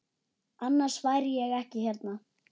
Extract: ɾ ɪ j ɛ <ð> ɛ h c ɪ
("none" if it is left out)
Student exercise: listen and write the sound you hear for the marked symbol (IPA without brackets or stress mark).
ɣ